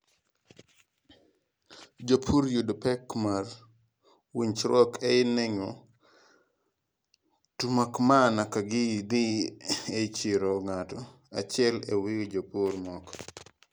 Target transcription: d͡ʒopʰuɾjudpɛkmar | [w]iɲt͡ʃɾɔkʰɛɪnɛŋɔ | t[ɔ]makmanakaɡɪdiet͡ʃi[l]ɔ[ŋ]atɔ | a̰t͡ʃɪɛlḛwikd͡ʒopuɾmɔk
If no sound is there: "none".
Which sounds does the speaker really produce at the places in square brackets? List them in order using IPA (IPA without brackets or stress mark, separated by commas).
w, u, ɾ, ŋ